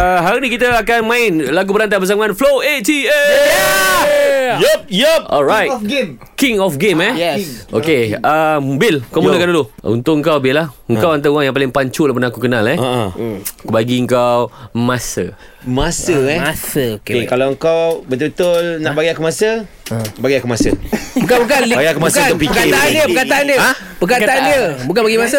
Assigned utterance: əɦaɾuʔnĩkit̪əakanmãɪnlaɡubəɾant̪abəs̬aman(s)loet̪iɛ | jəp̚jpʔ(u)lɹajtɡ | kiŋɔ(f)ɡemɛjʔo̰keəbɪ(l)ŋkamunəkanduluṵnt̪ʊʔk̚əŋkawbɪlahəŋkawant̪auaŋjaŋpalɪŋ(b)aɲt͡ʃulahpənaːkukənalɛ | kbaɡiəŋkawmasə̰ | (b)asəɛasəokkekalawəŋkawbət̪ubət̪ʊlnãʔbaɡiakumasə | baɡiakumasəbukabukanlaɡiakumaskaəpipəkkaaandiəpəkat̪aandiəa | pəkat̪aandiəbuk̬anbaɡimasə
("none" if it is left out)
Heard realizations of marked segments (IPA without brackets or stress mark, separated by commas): f, ɔ, f, l, p, m